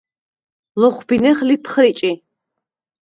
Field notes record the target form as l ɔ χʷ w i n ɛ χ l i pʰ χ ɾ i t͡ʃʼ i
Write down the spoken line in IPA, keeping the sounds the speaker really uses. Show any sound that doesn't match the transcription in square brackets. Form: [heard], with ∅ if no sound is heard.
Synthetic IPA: l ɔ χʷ [b] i n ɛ χ l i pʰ χ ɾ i t͡ʃʼ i